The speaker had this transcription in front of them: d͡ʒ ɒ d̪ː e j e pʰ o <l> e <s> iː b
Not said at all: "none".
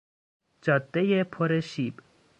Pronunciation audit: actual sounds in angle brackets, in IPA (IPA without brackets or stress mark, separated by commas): ɾ, ʃ